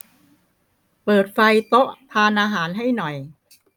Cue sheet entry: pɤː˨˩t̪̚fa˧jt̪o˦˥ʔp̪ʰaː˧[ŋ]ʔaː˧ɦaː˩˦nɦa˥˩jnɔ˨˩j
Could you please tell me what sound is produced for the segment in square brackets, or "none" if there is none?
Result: n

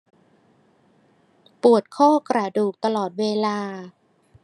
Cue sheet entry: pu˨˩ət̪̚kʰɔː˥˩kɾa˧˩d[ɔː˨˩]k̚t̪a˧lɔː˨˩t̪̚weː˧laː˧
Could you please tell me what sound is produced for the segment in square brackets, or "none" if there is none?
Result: uː˨˩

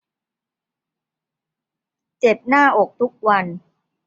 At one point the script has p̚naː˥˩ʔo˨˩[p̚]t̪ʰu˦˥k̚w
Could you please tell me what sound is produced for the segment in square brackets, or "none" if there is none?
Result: k̚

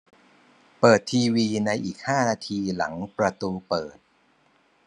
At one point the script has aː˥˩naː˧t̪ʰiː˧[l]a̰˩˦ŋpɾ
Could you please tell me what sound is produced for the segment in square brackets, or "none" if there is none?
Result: l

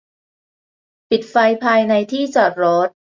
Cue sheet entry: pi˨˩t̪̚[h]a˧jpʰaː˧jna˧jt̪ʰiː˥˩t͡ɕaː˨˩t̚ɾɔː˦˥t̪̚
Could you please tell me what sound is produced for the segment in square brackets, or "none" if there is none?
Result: f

